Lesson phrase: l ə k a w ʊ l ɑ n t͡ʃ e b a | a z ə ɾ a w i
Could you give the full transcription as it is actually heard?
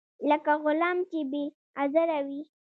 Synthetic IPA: l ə k a ɣ ʊ l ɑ m t͡ʃ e b e | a z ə ɾ a w i